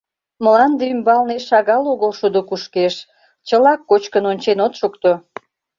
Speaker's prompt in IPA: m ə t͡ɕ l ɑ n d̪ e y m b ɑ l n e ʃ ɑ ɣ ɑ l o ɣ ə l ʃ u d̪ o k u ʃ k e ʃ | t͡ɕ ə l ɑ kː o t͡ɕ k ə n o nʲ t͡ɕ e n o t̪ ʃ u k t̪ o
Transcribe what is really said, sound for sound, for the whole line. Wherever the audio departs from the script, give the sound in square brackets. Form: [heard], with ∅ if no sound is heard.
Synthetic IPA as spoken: m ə [∅] l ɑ n d̪ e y m b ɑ l n e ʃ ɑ ɣ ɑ l o ɣ ə l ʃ u d̪ o k u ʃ k e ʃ | t͡ɕ ə l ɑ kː o t͡ɕ k ə n o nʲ t͡ɕ e n o t̪ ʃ u k t̪ o